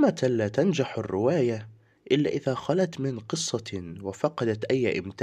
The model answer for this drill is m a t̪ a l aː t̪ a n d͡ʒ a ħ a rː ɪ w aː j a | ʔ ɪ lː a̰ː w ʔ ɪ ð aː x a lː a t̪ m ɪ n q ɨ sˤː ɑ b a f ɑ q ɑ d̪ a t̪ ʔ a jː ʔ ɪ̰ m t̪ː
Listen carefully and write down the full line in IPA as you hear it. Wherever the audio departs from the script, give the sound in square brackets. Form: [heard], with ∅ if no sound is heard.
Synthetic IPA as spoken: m a t̪ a l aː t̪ a n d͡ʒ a ħ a rː ɪ w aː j a | ʔ ɪ lː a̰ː [∅] ʔ ɪ ð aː x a [l] a t̪ m ɪ n q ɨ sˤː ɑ [w] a f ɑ q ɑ d̪ a t̪ ʔ a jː ʔ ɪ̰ m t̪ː